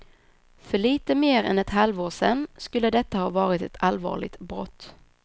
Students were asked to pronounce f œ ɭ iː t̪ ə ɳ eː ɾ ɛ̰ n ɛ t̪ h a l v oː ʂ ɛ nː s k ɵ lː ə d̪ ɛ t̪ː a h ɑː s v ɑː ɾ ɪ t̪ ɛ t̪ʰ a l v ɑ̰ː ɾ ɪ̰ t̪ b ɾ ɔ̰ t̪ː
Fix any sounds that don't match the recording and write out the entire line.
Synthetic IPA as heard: f œ ɭ iː t̪ ə m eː ɾ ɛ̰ n ɛ t̪ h a l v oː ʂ ɛ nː s k ɵ lː ə d̪ ɛ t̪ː a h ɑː v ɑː ɾ ɪ t̪ ɛ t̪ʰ a l v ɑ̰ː ɭ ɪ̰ t̪ b ɾ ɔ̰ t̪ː